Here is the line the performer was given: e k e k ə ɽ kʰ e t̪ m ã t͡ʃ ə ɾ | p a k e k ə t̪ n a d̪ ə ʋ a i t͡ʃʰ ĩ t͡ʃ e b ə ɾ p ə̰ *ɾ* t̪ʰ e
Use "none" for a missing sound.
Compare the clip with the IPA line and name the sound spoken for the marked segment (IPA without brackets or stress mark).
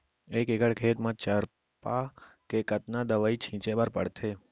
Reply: ɽ